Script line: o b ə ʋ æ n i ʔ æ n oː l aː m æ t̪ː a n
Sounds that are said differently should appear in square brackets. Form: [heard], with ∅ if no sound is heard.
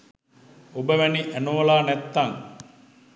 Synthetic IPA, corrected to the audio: o b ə ʋ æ n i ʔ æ n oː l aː [n] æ t̪ː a [ŋ]